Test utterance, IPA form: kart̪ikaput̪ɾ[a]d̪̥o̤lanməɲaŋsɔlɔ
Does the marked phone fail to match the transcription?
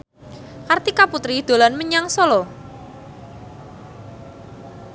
yes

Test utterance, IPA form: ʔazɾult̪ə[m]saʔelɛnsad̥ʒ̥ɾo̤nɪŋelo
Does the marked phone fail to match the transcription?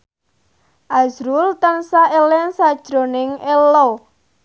yes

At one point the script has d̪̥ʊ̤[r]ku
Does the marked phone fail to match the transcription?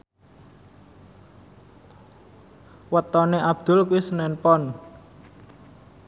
yes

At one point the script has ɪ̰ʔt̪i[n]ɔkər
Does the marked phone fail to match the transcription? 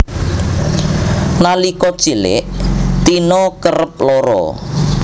no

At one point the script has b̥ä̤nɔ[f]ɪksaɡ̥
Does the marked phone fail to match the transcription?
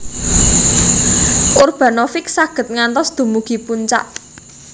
no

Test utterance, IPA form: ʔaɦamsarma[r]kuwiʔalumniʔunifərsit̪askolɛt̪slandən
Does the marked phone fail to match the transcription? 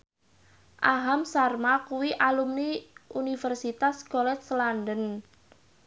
yes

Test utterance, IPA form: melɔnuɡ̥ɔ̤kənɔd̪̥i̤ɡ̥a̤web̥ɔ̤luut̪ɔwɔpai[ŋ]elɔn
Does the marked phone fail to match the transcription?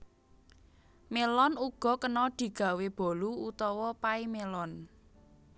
yes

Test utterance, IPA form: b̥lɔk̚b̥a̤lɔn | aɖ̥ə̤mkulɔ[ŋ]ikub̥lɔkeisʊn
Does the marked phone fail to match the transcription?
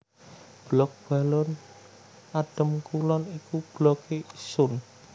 yes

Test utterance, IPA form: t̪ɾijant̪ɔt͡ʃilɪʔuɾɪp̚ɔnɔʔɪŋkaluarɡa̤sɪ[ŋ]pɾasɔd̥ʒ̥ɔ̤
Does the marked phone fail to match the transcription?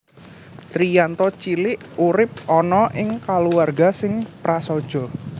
no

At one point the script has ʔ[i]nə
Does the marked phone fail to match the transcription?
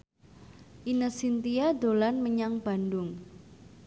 no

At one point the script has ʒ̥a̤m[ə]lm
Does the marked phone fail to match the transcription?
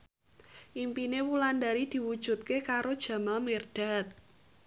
yes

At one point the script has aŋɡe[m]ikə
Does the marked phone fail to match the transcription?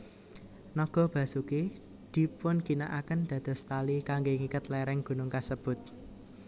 yes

